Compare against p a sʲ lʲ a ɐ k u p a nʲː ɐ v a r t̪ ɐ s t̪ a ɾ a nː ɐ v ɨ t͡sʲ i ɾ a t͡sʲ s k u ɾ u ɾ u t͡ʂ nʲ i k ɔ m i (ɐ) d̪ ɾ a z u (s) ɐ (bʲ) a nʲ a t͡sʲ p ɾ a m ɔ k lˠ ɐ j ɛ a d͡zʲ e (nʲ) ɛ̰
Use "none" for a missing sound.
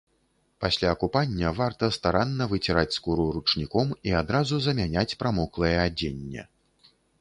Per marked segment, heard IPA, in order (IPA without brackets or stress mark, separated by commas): a, z, mʲ, nʲː